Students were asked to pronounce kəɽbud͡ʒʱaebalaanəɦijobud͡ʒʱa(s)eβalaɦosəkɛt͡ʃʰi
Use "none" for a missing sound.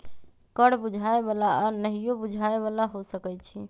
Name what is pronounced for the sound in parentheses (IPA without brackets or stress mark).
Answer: none